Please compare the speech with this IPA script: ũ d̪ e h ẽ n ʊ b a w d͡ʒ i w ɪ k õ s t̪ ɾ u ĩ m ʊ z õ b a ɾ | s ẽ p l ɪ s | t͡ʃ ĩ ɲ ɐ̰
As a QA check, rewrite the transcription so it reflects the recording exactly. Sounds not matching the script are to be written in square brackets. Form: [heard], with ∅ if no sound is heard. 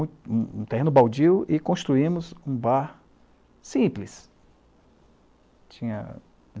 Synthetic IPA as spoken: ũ [t̪] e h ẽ n ʊ b a w d͡ʒ i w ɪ k õ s t̪ ɾ u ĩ m ʊ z [ũ] b a ɾ | s [ĩ] p l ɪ s | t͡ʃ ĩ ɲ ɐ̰